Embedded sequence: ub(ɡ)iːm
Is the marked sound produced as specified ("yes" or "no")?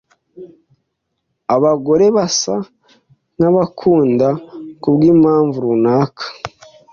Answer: yes